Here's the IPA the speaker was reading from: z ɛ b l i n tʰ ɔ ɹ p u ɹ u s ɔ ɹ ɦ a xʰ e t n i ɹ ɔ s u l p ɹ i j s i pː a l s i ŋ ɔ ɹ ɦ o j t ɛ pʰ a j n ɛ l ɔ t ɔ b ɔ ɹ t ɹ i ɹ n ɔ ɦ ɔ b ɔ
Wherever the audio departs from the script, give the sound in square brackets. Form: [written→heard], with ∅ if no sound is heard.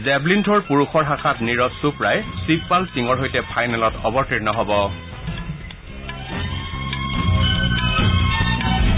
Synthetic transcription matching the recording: z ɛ b l i n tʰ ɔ ɹ p u ɹ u [s→x] ɔ ɹ ɦ a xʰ [e→a] t n i ɹ ɔ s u [l→∅] p ɹ [i→a] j s i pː a l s i ŋ ɔ ɹ ɦ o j t ɛ pʰ a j n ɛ l ɔ t ɔ b ɔ ɹ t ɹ i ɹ n ɔ ɦ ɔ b ɔ